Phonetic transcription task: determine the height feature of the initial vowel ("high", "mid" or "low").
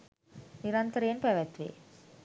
high